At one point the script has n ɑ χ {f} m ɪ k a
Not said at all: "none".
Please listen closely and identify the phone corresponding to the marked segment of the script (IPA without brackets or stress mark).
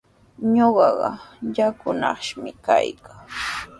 ʃ